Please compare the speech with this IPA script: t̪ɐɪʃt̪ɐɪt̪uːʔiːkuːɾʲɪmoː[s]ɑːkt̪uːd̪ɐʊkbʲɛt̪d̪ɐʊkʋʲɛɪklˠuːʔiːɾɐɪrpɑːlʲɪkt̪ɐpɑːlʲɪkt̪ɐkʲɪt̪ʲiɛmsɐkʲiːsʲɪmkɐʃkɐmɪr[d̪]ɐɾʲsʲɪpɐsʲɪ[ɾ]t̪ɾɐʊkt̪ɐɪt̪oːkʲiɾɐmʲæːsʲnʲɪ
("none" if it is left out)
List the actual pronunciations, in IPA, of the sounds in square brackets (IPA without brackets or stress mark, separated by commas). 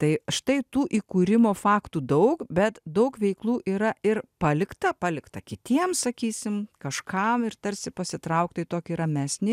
f, t̪, none